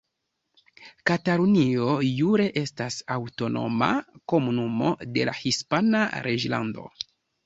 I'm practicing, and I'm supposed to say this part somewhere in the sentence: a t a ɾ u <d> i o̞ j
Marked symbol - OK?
no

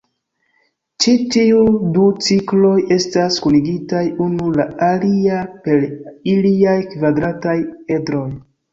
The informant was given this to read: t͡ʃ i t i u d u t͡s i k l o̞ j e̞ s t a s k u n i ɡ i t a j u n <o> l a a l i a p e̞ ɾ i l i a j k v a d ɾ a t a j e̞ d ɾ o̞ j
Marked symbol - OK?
no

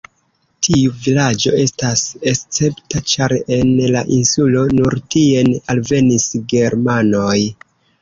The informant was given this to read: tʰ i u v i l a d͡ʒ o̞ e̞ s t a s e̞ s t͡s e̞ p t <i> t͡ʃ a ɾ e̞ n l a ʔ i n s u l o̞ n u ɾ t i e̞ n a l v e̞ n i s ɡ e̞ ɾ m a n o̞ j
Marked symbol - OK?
no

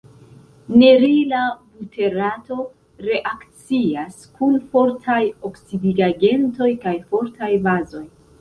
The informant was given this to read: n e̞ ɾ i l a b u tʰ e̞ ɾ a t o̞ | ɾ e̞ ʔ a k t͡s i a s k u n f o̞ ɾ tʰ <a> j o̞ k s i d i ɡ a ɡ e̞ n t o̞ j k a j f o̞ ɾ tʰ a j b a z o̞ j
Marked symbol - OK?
yes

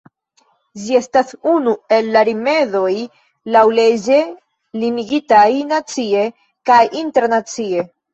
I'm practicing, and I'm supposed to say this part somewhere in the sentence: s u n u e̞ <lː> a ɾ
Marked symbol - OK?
yes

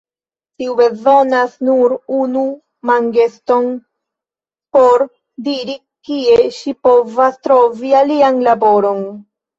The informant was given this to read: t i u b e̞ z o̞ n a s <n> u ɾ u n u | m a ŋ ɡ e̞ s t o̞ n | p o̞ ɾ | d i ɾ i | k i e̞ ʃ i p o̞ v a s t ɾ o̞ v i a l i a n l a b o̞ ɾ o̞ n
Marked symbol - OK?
yes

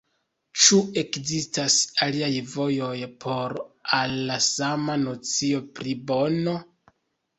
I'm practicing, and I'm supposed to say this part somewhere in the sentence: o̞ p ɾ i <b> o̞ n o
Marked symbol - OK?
yes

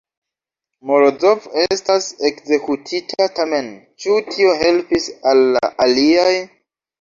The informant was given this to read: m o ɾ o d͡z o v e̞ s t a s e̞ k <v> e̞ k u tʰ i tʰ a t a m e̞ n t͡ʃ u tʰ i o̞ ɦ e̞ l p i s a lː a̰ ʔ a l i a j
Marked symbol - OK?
no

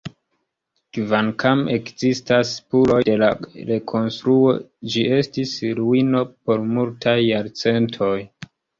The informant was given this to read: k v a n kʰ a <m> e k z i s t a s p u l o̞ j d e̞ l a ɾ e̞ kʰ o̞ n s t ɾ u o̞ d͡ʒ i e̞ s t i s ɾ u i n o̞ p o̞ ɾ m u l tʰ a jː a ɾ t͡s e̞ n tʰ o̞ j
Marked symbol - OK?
yes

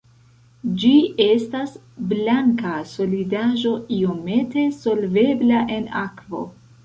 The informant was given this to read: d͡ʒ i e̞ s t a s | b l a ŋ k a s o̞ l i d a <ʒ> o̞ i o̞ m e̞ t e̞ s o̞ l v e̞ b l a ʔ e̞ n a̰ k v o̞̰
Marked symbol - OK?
yes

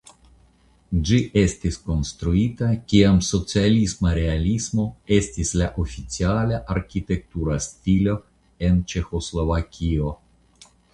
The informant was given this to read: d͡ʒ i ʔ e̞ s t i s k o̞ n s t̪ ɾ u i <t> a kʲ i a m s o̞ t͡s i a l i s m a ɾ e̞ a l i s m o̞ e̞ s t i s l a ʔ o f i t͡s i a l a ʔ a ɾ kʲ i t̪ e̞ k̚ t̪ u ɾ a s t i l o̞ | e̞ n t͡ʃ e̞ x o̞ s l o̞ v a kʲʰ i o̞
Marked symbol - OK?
yes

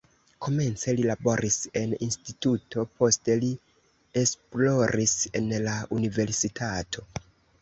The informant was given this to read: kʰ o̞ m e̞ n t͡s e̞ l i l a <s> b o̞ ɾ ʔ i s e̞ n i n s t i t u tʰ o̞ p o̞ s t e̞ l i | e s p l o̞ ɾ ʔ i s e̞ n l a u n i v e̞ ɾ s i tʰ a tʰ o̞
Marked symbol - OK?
no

